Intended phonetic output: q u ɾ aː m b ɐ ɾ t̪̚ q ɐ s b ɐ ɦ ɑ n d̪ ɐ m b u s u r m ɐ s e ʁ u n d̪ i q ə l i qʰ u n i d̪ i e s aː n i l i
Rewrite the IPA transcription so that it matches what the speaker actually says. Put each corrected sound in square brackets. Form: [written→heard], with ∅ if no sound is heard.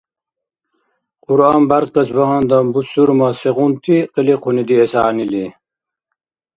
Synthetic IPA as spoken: q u ɾ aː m b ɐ ɾ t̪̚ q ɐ s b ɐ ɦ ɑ n d̪ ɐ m b u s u [r→ɾ] m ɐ s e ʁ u n [d̪→t̪] i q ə l i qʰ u n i d̪ i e s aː n i l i